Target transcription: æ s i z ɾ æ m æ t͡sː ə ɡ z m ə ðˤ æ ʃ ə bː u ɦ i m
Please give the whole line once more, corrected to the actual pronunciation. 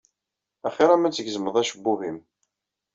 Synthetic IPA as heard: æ χ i ɾ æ m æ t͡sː ə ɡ z m ə ðˤ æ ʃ ə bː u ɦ i m